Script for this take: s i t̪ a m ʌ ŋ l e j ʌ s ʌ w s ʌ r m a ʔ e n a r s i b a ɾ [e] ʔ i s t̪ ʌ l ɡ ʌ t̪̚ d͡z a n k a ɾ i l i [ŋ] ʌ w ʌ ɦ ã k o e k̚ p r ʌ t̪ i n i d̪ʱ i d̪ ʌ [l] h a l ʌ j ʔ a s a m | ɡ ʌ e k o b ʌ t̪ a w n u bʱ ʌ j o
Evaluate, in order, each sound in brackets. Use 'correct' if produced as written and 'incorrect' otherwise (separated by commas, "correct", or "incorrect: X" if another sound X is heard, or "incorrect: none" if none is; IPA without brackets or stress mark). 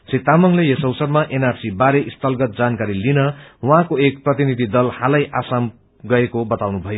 correct, incorrect: n, correct